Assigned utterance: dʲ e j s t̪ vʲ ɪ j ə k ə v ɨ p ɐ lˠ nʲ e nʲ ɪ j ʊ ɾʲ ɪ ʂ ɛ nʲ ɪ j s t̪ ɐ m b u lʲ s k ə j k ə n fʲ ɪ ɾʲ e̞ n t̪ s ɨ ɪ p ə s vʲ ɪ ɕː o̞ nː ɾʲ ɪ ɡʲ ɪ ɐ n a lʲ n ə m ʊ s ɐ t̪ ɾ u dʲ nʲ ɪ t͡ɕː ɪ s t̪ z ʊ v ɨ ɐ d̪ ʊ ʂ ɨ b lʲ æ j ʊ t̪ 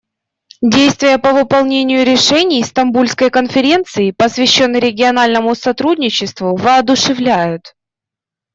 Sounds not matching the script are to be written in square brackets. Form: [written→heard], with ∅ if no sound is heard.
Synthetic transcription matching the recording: dʲ e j s t̪ vʲ ɪ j ə [k→p] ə v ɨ p ɐ lˠ nʲ e nʲ ɪ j ʊ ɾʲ ɪ ʂ ɛ nʲ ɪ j s t̪ ɐ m b u lʲ s k ə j k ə n fʲ ɪ ɾʲ e̞ n t̪ s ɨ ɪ p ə s vʲ ɪ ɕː o̞ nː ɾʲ ɪ ɡʲ ɪ ɐ n a lʲ n ə m ʊ s ɐ t̪ ɾ u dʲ nʲ ɪ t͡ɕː ɪ s t̪ [z→v] ʊ v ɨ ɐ d̪ ʊ ʂ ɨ [b→v] lʲ æ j ʊ t̪